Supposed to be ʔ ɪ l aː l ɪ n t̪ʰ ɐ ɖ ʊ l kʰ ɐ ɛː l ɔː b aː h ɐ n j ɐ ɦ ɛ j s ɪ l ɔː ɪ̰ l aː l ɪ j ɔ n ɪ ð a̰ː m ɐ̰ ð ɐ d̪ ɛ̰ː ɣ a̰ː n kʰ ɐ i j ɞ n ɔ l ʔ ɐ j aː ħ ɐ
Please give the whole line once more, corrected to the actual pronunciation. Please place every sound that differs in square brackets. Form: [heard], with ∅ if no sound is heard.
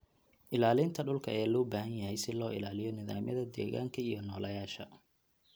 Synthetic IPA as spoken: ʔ ɪ l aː l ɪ n t̪ʰ ɐ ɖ ʊ l kʰ ɐ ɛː l ɔː b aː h ɐ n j ɐ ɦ ɛ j s ɪ l ɔː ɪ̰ l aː l ɪ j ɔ n ɪ ð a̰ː m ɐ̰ ð ɐ d̪ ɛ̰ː ɣ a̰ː [ŋ] kʰ ɐ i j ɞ n [ɔː] l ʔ ɐ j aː [ʃ] ɐ

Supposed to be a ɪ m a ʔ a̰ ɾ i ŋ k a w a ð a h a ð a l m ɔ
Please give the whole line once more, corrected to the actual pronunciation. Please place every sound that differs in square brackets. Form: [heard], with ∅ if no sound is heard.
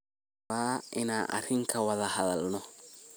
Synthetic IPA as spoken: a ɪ [n] a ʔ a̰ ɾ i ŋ k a w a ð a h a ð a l [n] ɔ

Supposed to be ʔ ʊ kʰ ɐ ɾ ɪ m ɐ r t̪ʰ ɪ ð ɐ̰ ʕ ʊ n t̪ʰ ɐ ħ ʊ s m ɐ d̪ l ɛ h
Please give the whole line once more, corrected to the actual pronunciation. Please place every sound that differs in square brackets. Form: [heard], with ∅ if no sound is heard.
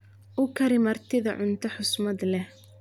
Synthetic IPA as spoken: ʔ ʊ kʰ ɐ ɾ ɪ m ɐ r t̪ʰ ɪ ð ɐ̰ ʕ ʊ n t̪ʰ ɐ ħ ʊ s m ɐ d̪ l ɛ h

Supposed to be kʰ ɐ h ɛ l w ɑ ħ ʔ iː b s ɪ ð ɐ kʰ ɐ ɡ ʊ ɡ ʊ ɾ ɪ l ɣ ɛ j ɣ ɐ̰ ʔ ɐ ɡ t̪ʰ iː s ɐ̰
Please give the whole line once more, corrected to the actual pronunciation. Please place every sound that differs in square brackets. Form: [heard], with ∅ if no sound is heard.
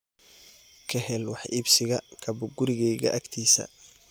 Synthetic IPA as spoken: kʰ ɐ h ɛ l w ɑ ħ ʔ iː b s ɪ [ɣ] ɐ kʰ ɐ [b] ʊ ɡ ʊ ɾ ɪ [∅] ɣ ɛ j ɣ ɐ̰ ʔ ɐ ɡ t̪ʰ iː s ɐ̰

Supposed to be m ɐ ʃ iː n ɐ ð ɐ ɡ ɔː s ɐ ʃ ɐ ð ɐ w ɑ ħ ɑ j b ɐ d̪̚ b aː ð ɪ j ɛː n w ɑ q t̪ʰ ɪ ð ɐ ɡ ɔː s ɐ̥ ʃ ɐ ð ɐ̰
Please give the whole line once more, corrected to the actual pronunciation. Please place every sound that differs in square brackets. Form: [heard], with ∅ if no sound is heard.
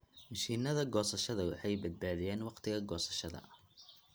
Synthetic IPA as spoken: m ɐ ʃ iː n ɐ ð ɐ ɡ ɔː s ɐ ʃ ɐ ð ɐ w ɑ ħ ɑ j b ɐ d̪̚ b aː ð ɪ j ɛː n w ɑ q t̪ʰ ɪ [ɣ] ɐ ɡ ɔː s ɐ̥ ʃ ɐ ð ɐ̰

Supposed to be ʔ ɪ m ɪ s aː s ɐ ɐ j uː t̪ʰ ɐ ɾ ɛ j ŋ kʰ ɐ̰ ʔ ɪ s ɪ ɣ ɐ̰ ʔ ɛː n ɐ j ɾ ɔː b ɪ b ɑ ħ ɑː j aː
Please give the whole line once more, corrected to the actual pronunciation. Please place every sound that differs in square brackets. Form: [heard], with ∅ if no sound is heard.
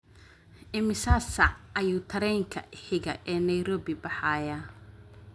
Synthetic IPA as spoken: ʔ ɪ m ɪ s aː s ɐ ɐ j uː t̪ʰ ɐ ɾ ɛ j ŋ kʰ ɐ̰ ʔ ɪ [ħ] ɪ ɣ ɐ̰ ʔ ɛː n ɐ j ɾ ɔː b ɪ b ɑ ħ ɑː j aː

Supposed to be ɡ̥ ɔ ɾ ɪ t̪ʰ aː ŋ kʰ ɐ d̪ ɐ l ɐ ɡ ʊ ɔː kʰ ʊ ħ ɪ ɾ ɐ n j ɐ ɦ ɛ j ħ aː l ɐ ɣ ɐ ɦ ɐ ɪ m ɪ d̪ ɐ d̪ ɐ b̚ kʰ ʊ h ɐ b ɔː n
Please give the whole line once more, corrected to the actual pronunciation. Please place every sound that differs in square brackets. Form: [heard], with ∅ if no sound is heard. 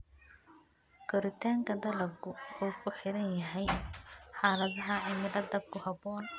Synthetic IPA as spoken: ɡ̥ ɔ ɾ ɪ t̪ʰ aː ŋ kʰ ɐ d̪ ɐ l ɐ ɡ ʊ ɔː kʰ ʊ ħ ɪ ɾ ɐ n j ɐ ɦ ɛ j ħ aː l ɐ [ð] ɐ ɦ ɐ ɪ m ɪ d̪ ɐ d̪ ɐ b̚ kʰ ʊ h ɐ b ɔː n

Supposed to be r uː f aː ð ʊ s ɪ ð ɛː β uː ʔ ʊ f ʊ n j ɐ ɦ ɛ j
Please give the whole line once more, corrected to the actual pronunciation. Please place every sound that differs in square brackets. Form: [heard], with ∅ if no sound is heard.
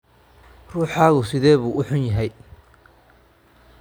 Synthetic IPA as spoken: r uː [ħ] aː [ɣ] ʊ s ɪ ð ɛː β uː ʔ ʊ [ħ] ʊ n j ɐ ɦ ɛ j

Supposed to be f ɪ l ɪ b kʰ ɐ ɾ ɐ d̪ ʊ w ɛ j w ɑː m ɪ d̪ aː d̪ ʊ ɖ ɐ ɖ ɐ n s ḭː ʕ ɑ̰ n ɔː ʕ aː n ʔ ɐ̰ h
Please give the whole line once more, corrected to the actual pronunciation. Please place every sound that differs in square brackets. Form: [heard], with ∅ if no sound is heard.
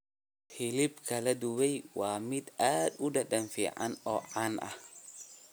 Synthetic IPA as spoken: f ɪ l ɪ b kʰ ɐ [l] ɐ d̪ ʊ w ɛ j w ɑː m ɪ d̪ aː d̪ ʊ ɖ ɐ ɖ ɐ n [f] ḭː ʕ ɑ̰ n ɔː ʕ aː n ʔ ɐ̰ h

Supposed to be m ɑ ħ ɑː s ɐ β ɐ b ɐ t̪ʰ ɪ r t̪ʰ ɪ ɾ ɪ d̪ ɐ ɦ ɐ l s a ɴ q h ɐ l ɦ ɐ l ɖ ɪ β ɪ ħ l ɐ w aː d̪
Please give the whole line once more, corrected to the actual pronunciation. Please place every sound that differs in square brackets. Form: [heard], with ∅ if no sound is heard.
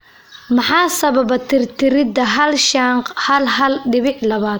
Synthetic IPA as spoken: m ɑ ħ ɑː s ɐ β ɐ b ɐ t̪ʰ ɪ r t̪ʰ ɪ ɾ ɪ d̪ ɐ ɦ ɐ l [ʃ] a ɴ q h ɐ l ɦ ɐ l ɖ ɪ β ɪ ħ l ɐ [β] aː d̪

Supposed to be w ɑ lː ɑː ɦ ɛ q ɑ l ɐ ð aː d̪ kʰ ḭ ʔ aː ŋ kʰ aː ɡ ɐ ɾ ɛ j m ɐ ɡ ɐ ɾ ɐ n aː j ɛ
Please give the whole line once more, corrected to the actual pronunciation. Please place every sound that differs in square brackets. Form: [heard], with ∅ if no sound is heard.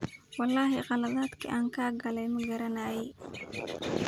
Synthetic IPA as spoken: w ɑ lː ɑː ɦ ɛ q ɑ l ɐ ð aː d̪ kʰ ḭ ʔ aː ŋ kʰ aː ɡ ɐ [l] ɛ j m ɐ ɡ ɐ ɾ ɐ n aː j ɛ

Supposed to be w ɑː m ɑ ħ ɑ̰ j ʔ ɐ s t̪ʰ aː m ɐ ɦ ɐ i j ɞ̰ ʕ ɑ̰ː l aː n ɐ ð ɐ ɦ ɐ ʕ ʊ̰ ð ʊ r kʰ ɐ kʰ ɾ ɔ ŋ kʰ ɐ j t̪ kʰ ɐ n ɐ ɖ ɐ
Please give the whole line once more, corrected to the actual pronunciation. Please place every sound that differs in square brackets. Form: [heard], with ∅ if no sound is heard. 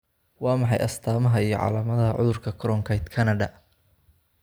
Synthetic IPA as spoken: w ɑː m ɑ ħ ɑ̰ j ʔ ɐ s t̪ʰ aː m ɐ ɦ ɐ i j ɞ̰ ʕ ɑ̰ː l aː [m] ɐ ð ɐ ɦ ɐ ʕ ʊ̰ ð ʊ r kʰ ɐ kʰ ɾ ɔ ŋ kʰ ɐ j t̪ kʰ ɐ n ɐ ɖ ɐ

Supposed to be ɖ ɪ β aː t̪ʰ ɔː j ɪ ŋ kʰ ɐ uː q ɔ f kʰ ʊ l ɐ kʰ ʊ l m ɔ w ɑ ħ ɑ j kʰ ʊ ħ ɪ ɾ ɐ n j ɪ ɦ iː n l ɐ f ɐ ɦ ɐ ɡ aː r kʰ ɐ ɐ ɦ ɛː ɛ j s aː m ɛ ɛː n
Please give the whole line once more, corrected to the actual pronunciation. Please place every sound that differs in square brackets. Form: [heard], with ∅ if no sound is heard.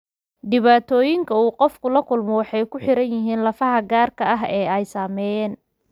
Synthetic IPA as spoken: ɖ ɪ β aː t̪ʰ ɔː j ɪ ŋ kʰ ɐ uː q ɔ f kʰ ʊ l ɐ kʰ ʊ l m ɔ w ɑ ħ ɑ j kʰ ʊ ħ ɪ ɾ ɐ n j ɪ ɦ iː n l ɐ f ɐ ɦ ɐ ɡ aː r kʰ ɐ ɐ ɦ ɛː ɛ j s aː m ɛ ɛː n

